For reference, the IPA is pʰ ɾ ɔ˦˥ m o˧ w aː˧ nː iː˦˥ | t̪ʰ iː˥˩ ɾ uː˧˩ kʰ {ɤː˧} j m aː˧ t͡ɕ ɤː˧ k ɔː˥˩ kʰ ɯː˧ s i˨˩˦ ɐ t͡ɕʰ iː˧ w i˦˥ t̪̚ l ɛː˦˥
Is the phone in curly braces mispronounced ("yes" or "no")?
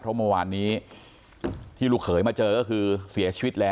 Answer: yes